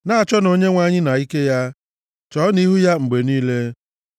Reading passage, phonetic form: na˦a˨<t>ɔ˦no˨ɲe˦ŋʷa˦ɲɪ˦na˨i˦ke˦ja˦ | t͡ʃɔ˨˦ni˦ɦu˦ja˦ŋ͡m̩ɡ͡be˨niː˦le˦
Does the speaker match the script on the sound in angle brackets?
no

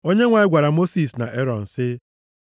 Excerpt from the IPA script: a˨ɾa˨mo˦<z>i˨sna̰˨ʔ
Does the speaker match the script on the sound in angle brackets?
no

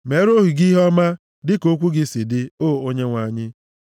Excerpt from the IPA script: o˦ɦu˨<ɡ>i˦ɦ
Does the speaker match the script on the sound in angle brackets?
yes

